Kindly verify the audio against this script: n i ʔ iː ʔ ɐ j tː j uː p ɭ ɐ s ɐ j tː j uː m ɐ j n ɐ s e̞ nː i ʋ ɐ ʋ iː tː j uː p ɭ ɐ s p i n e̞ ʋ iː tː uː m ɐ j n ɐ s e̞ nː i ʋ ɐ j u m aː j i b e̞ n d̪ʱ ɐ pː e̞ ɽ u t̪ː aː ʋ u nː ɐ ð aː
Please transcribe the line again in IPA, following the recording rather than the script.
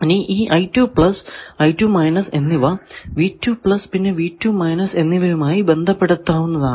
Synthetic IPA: n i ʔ iː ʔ ɐ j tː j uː p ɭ ɐ s ɐ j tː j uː m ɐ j n ɐ s e̞ nː i ʋ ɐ ʋ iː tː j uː p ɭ ɐ s p i nː e̞ ʋ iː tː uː m ɐ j n ɐ s e̞ nː i ʋ ɐ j u m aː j i b e̞ n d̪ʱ ɐ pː e̞ ɽ u t̪ː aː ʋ u nː ɐ ð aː

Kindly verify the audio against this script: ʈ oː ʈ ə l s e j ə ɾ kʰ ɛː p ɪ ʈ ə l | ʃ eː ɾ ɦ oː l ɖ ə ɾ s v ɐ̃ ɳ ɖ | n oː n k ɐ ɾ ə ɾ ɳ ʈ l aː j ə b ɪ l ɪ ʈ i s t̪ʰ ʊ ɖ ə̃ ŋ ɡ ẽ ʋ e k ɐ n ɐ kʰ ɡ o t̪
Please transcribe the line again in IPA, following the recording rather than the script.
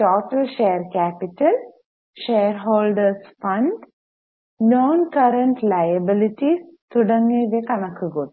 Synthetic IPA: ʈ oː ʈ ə l ʃ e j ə ɾ k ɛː p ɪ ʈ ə l | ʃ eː ɾ ɦ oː l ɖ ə ɾ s f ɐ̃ ɳ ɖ | n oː n k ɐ ɾ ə ɳ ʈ l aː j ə b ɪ l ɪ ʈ i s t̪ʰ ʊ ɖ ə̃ ŋ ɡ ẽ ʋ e k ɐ n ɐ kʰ ɡ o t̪

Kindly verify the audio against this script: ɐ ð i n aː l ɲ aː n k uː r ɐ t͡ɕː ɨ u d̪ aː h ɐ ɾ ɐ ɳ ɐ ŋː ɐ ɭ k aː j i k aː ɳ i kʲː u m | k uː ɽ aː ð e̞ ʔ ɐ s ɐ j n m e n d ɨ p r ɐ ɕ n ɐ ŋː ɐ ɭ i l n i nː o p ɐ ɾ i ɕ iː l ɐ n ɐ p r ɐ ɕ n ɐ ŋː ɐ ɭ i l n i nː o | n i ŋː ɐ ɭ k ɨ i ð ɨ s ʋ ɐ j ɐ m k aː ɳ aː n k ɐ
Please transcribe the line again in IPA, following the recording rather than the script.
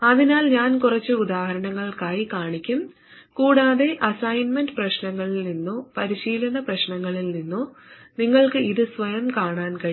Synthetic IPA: ɐ ð i n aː l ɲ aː n k u r ɐ t͡ɕː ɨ u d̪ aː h ɐ ɾ ɐ ɳ ɐ ŋː ɐ ɭ k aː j i k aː ɳ i kʲː u m | k uː ɽ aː ð e̞ ʔ ɐ s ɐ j n m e n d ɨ p r ɐ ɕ n ɐ ŋː ɐ ɭ i l n i nː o p ɐ ɾ i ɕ iː l ɐ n ɐ p r ɐ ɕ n ɐ ŋː ɐ ɭ i l n i nː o | n i ŋː ɐ ɭ k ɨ i ð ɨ s ʋ ɐ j ɐ m k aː ɳ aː n k ɐ

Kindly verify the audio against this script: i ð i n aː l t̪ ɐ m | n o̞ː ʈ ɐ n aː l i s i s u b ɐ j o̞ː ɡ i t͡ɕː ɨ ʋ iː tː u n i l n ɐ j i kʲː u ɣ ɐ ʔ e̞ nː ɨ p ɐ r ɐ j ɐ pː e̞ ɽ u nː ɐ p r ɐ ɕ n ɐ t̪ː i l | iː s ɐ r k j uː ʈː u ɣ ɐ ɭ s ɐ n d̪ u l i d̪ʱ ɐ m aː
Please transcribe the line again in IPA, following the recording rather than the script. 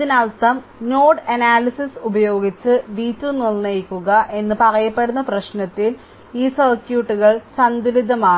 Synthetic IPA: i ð i n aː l t̪ ɐ m | n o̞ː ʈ ɐ n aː l i s i s u b ɐ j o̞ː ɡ i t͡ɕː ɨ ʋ iː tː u n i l n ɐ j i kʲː u ɣ ɐ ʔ e̞ nː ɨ p ɐ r ɐ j ɐ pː e̞ ɽ u nː ɐ p r ɐ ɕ n ɐ t̪ː i l | iː s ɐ r k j uː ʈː u ɣ ɐ ɭ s ɐ n d̪ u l i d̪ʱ ɐ m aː

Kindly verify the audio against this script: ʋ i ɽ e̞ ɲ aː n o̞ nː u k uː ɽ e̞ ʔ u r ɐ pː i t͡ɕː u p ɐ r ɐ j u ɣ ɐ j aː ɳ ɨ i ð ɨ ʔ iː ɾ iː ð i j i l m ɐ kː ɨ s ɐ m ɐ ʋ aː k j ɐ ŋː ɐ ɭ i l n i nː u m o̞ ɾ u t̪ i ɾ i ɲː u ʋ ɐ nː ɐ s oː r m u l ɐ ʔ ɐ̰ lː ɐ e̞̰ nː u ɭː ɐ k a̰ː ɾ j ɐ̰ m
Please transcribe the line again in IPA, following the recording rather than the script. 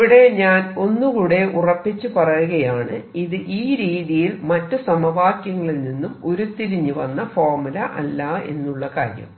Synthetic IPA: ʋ i ɽ e̞ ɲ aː n o̞ nː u k uː ɽ e̞ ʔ u r ɐ pː i t͡ɕː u p ɐ r ɐ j u ɣ ɐ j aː ɳ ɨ i ð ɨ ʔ iː ɾ iː ð i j i l m ɐ tː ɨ s ɐ m ɐ ʋ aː k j ɐ ŋː ɐ ɭ i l n i nː u m o̞ ɾ u t̪ i ɾ i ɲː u ʋ ɐ nː ɐ f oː r m u l ɐ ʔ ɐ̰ lː ɐ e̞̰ nː u ɭː ɐ k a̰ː ɾ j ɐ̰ m

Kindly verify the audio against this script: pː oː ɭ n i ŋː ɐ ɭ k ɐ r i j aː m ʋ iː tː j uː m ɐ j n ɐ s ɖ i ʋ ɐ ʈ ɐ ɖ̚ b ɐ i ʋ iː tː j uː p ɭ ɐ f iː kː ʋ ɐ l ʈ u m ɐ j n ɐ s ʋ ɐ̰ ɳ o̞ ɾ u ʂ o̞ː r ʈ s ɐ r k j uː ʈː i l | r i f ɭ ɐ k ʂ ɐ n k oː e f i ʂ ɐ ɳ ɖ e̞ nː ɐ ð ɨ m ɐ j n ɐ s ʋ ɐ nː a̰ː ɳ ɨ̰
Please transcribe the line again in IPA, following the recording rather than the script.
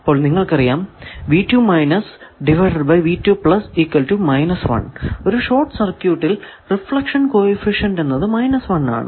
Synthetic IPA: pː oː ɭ n i ŋː ɐ ɭ k ɐ r i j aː m ʋ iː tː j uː m ɐ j n ɐ s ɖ i ʋ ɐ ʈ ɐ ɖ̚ b ɐ j ʋ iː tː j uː p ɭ ɐ s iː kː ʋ ɐ l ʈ u m ɐ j n ɐ s ʋ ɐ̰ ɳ o̞ ɾ u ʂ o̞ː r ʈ s ɐ r k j uː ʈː i l | r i f ɭ ɐ k ʂ ɐ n k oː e f i ʂ ɐ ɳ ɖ e̞ nː ɐ ð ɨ m ɐ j n ɐ s ʋ ɐ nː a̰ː ɳ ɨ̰

